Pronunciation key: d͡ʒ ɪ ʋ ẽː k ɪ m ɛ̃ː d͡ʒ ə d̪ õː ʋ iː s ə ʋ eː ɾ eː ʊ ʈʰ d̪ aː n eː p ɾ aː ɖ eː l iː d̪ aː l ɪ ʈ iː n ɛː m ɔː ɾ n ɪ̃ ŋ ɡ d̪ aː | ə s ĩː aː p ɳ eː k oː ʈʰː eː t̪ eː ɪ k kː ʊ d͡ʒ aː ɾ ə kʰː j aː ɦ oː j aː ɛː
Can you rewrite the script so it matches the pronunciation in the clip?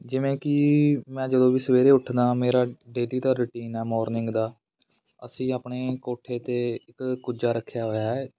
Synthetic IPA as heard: d͡ʒ ɪ ʋ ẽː k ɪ m ɛ̃ː d͡ʒ ə d̪ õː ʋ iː s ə ʋ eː ɾ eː ʊ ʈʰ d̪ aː m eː ɾ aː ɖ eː l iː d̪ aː ɾ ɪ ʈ iː n ɛː m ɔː ɾ n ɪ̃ ŋ ɡ d̪ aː | ə s ĩː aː p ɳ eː k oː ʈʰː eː t̪ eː ɪ k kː ʊ d͡ʒ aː ɾ ə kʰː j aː ɦ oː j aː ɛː